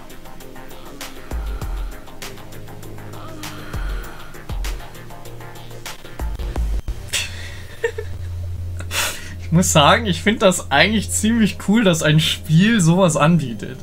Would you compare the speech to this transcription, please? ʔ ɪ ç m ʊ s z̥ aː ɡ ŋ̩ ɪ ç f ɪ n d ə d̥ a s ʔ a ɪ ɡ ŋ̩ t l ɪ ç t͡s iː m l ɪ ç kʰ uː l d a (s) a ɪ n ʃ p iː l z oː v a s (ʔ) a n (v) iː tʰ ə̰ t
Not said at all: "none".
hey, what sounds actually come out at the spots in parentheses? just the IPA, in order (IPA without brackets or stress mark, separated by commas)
s, ʔ, b